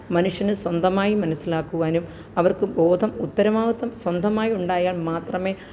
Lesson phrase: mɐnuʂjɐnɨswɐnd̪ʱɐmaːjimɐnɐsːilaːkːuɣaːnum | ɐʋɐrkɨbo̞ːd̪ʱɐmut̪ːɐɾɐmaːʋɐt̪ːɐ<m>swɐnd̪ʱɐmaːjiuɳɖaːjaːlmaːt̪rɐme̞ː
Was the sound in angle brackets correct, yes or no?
yes